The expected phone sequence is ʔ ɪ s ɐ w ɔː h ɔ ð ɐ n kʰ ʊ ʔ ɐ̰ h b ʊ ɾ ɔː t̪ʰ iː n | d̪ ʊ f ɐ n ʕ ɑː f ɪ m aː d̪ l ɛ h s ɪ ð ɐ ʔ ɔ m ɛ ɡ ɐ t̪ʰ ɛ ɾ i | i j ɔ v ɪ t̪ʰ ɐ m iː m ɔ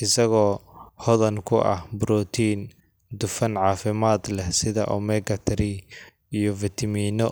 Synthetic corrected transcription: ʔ ɪ s ɐ ɣ ɔː h ɔ ð ɐ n kʰ ʊ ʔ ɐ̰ h b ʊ ɾ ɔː t̪ʰ iː n | d̪ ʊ f ɐ n ʕ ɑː f ɪ m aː d̪ l ɛ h s ɪ ð ɐ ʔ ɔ m ɛ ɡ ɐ t̪ʰ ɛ ɾ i | i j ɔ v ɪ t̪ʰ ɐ m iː n ɔ